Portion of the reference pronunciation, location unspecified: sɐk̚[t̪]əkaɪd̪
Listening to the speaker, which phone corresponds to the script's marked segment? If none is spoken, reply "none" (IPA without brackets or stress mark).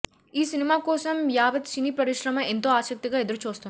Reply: t̪